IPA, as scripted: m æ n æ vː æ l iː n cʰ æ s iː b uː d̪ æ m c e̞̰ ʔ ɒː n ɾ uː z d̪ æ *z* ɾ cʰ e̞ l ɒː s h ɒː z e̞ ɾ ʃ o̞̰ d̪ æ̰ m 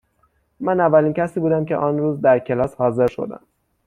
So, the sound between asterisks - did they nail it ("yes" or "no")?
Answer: no